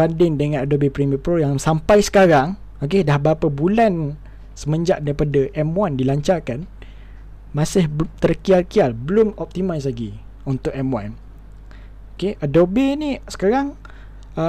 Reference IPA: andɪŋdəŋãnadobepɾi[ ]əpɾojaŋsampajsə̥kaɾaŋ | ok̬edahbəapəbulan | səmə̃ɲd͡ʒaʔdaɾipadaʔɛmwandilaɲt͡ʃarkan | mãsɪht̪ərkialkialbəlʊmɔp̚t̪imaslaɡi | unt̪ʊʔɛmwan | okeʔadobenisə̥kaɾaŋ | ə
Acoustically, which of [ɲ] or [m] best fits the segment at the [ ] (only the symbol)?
m